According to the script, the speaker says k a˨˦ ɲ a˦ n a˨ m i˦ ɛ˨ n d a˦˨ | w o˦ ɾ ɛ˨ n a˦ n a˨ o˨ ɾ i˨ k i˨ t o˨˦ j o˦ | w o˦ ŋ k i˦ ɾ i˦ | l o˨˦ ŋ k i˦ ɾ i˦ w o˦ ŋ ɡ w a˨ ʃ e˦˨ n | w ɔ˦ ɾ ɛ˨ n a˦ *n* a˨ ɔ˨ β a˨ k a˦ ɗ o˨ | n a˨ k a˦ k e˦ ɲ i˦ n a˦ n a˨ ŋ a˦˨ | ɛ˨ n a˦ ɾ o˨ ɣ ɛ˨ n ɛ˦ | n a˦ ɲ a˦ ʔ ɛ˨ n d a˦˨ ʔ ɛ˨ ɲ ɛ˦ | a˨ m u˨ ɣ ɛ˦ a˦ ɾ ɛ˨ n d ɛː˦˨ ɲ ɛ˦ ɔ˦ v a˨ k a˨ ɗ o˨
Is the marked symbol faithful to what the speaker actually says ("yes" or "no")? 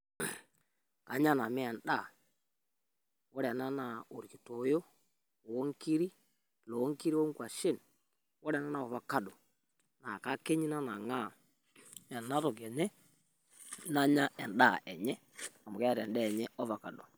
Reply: yes